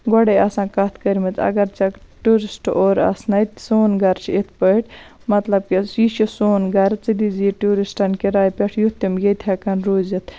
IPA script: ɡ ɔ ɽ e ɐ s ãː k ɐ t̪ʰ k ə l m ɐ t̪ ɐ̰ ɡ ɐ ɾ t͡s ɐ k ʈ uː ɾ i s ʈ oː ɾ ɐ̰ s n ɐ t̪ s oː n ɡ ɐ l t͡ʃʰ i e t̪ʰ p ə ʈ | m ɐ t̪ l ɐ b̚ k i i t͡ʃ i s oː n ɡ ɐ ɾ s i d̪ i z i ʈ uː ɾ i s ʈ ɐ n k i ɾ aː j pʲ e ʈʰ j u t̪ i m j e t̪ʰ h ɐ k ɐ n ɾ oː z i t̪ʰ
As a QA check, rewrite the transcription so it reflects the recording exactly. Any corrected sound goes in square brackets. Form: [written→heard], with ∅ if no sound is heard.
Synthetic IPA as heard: ɡ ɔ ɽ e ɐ s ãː k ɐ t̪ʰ k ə [l→ɾ] m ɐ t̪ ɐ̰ ɡ ɐ ɾ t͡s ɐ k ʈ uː ɾ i s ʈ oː ɾ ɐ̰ s n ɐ t̪ s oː n ɡ ɐ [l→ɾ] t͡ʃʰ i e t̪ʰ p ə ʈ | m ɐ t̪ l ɐ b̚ k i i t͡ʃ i s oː n ɡ ɐ ɾ [s→t͡s] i d̪ i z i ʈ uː ɾ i s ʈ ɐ n k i ɾ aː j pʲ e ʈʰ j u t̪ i m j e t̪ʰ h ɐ k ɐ n ɾ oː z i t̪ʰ